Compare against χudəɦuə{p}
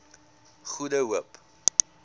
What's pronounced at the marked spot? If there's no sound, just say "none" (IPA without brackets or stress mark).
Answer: p